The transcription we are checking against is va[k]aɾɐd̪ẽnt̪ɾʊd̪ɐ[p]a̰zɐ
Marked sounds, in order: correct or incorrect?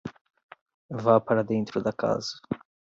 incorrect: p, incorrect: k

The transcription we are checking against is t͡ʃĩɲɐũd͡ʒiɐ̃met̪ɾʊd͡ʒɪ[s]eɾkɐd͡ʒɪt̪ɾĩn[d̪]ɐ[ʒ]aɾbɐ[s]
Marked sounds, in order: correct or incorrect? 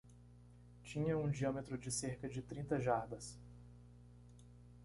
correct, incorrect: t̪, correct, correct

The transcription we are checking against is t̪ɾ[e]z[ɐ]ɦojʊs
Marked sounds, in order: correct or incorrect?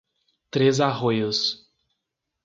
correct, incorrect: a

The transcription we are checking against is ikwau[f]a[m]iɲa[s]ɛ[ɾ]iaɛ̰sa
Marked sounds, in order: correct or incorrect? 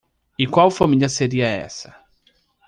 correct, correct, correct, correct

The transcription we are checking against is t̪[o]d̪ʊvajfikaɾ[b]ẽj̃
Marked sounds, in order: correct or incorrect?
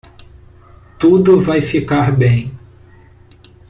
incorrect: u, correct

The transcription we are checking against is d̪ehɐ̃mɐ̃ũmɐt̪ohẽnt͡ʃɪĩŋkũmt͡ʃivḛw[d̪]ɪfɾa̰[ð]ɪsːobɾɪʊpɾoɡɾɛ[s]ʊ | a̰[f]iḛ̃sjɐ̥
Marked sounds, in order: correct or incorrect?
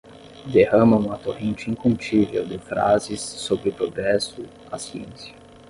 correct, incorrect: z, correct, incorrect: s

